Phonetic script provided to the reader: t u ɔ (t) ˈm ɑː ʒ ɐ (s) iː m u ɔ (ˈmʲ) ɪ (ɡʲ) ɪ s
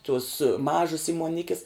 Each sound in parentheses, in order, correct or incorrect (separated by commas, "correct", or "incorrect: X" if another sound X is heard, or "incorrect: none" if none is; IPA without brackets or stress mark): incorrect: s, correct, incorrect: nʲ, incorrect: kʲ